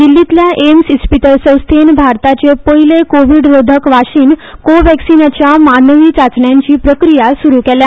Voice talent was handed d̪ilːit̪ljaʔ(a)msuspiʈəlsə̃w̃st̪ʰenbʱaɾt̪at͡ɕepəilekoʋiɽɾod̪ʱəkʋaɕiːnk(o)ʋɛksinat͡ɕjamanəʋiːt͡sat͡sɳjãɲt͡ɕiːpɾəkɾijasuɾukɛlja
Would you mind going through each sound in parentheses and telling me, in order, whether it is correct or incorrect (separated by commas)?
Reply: incorrect, correct